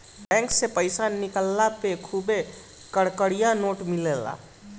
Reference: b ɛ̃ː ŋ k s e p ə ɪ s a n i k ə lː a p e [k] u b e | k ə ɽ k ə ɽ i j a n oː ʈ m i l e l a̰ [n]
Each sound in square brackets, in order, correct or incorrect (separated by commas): incorrect, incorrect